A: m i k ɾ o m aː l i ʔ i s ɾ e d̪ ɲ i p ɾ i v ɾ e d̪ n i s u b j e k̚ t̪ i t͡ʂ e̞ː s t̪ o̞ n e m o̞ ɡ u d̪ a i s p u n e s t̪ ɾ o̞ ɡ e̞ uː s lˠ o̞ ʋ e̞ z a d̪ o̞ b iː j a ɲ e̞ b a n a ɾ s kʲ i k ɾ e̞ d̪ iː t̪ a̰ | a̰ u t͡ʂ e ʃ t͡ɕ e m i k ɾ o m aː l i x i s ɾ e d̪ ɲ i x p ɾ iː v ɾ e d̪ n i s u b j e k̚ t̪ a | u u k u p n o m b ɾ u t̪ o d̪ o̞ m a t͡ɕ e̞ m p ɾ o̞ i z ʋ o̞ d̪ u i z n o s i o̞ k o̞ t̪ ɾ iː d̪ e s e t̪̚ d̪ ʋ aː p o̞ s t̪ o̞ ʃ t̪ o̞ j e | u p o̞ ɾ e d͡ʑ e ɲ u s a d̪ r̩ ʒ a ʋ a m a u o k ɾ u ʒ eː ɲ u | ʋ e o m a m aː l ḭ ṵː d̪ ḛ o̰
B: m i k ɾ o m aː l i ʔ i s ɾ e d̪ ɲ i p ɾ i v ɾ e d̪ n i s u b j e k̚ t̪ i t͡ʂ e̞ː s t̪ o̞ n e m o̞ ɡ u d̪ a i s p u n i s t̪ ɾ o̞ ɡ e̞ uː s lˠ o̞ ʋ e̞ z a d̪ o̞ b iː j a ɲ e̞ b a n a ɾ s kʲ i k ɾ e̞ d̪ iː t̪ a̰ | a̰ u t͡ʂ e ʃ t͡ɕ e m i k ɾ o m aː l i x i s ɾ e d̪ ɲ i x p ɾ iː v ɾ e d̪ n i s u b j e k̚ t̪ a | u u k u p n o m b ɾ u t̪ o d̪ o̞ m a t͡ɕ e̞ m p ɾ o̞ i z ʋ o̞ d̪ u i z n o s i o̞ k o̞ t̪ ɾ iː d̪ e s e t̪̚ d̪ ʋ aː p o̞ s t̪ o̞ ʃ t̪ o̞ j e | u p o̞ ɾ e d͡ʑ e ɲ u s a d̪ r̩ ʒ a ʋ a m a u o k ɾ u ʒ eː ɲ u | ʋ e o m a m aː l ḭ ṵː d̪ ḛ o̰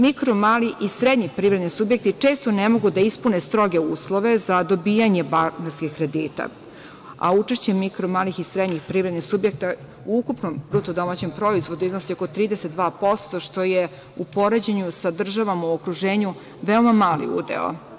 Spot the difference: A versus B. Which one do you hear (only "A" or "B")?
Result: A